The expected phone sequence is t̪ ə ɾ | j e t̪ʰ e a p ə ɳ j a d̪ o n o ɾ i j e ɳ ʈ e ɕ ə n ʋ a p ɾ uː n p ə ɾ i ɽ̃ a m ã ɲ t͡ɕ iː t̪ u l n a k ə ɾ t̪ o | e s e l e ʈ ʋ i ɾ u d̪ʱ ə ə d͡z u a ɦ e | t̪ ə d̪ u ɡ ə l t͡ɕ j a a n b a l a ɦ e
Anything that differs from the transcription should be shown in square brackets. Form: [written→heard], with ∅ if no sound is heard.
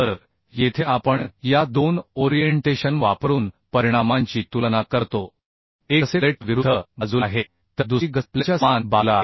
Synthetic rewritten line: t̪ ə ɾ | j e t̪ʰ e a p ə ɳ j a d̪ o n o ɾ i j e ɳ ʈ e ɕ ə n ʋ a p ɾ uː n p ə ɾ i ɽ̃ a m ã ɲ t͡ɕ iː t̪ u l n a k ə ɾ t̪ o | e s e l e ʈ ʋ i ɾ u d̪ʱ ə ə d͡z u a ɦ e | t̪ ə d̪ u ɡ ə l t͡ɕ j a a n b a l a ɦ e